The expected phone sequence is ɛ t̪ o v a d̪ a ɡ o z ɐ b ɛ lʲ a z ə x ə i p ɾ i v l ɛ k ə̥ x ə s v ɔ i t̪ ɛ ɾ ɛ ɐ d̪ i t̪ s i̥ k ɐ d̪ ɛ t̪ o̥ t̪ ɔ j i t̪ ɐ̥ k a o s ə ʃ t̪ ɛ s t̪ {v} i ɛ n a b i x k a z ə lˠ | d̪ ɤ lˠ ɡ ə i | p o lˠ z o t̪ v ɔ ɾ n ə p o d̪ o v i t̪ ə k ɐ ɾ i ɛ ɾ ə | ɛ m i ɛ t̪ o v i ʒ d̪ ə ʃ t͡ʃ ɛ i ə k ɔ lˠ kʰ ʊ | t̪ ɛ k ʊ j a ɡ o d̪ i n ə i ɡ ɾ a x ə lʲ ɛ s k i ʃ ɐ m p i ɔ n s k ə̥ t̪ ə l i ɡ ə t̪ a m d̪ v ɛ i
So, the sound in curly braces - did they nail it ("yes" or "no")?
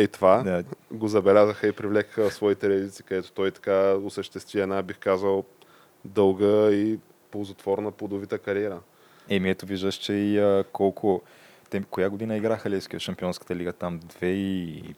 yes